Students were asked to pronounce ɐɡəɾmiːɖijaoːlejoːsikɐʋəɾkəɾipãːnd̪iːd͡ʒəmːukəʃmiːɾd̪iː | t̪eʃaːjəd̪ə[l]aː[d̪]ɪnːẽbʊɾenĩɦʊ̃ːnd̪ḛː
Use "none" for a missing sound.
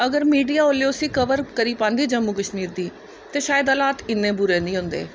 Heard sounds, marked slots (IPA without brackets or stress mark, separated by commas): l, t̪